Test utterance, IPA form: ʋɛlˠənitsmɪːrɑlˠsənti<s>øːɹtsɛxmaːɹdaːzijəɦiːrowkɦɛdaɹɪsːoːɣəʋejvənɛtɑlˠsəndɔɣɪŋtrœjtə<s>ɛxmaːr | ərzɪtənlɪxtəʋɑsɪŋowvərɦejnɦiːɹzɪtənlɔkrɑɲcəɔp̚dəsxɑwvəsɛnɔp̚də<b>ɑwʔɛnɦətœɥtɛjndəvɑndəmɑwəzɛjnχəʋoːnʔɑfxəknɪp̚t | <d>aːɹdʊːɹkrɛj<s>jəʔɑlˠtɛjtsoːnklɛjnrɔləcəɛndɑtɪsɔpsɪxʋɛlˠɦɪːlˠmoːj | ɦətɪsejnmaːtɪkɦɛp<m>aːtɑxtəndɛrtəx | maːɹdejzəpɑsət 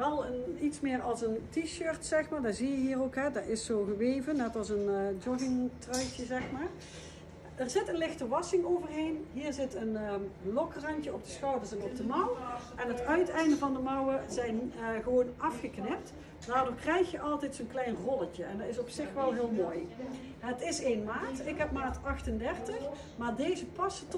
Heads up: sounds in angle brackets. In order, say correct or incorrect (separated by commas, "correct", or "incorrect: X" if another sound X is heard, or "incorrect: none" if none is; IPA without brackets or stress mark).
incorrect: ʃ, incorrect: z, incorrect: m, correct, incorrect: x, correct